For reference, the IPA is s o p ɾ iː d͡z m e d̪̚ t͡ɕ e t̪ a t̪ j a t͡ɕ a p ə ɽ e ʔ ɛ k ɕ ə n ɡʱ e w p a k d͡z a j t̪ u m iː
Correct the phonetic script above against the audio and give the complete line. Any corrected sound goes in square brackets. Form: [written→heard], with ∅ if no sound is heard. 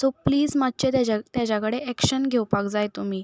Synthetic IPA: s o p [ɾ→l] iː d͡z m [e→a] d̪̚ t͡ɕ e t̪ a t̪ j a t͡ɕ a [p→k] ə ɽ e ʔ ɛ k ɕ ə n ɡʱ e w p a k d͡z a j t̪ u m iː